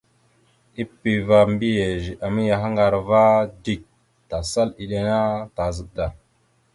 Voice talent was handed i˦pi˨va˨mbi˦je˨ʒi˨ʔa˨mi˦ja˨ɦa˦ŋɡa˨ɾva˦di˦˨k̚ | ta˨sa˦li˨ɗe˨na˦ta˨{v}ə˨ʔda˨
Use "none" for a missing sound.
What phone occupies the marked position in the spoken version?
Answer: z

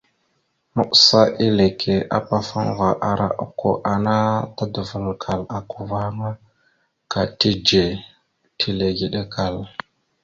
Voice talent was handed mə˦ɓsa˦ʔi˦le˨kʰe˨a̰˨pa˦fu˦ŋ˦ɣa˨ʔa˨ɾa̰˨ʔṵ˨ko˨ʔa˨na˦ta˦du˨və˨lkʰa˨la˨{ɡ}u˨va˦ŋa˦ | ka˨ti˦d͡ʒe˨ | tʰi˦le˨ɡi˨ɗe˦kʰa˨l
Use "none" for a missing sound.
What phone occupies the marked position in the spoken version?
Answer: k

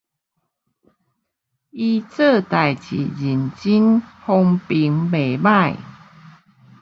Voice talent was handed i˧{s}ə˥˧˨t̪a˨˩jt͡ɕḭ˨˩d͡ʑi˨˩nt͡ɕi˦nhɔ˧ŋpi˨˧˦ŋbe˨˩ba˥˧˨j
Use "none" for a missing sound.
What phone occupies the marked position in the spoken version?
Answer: t͡s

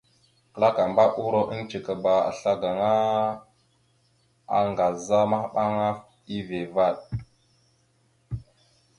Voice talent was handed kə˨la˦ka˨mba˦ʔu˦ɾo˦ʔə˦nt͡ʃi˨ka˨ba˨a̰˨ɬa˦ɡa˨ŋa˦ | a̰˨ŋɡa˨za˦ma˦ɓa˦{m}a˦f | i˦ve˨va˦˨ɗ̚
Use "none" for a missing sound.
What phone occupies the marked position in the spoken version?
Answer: ŋ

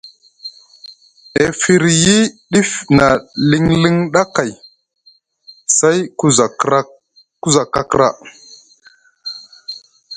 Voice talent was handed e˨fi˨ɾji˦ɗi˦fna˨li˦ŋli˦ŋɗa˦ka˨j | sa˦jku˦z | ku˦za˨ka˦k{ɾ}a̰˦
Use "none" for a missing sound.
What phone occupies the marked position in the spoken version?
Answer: ɾ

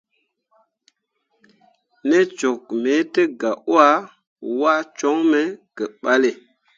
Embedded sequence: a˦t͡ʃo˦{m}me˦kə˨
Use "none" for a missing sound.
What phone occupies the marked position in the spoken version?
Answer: ŋ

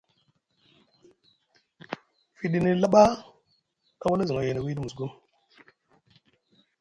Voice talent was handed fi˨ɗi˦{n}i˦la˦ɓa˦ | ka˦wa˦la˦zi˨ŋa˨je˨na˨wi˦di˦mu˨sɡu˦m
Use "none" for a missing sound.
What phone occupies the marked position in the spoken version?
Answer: n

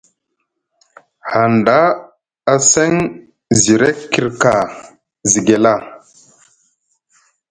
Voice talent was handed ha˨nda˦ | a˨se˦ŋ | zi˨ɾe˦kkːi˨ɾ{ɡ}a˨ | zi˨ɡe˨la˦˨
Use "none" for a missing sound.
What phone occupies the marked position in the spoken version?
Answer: k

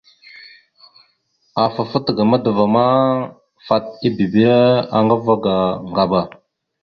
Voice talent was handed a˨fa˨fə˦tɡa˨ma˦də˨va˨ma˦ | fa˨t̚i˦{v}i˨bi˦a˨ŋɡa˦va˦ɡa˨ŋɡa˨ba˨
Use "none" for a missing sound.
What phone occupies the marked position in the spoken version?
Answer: b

